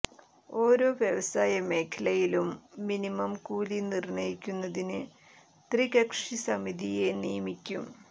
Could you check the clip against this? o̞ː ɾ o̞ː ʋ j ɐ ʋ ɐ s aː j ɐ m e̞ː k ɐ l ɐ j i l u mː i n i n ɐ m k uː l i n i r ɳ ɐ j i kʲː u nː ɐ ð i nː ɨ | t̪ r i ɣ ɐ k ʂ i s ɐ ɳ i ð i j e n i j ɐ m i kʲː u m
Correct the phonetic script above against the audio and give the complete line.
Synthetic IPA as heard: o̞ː ɾ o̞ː ʋ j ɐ ʋ ɐ s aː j ɐ m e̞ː kʰ ɐ l ɐ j i l u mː i n i m ɐ m k uː l i n i r ɳ ɐ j i kʲː u nː ɐ ð i n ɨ | t̪ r i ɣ ɐ k ʂ i s ɐ m i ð i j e n i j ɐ m i kʲː u m